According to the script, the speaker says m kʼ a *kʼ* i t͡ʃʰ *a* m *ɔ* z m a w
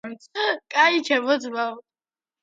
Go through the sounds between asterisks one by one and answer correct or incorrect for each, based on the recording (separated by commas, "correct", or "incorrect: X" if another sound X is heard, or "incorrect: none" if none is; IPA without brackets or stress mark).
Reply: incorrect: none, incorrect: ɛ, correct